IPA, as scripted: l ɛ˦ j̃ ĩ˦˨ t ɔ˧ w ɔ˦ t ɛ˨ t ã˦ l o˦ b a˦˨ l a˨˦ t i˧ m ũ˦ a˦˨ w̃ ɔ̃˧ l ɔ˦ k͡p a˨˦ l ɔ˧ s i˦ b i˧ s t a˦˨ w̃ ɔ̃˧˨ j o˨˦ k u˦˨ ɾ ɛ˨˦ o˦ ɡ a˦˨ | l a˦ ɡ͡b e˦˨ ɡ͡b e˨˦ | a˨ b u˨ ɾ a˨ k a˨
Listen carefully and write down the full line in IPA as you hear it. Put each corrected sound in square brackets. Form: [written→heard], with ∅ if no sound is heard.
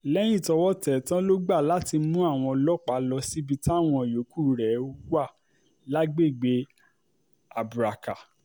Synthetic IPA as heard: l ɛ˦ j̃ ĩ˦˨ t ɔ˧ w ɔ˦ t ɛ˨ t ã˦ l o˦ [b→ɡ͡b] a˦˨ l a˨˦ t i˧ m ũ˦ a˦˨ w̃ ɔ̃˧ l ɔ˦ k͡p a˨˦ l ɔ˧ s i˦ b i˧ [s→∅] t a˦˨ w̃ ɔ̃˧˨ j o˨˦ k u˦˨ ɾ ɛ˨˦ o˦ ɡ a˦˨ | l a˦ ɡ͡b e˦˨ ɡ͡b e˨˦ | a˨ b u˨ ɾ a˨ k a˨